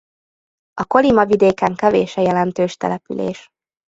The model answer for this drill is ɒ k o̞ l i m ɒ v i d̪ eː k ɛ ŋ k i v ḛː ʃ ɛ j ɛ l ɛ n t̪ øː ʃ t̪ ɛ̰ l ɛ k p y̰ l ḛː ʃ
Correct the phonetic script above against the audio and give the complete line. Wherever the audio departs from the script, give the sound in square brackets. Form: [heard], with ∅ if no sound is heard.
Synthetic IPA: ɒ k o̞ l i m ɒ v i d̪ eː k ɛ ŋ k [ɛ] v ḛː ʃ ɛ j ɛ l ɛ n t̪ øː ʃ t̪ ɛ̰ l ɛ [∅] p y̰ l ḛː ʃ